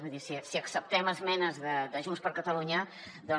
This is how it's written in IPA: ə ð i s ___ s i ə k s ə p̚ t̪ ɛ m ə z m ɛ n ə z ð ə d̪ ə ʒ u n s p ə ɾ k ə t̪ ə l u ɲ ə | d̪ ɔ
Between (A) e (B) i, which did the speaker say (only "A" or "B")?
B